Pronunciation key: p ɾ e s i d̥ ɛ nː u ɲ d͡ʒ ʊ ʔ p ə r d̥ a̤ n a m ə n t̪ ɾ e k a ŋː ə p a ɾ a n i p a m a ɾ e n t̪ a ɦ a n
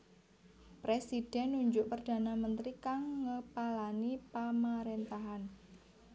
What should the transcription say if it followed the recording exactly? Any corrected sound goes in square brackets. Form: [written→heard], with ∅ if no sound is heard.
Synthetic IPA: p ɾ e s i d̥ ɛ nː u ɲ d͡ʒ ʊ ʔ p ə r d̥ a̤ n a m ə n t̪ ɾ [e→i] k a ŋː ə p a [ɾ→l] a n i p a m a ɾ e n t̪ a ɦ a n